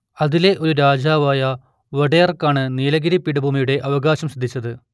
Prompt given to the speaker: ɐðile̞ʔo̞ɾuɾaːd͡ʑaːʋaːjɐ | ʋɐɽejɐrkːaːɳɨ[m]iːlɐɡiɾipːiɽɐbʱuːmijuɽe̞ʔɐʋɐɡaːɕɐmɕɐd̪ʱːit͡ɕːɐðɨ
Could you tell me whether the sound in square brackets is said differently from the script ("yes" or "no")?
yes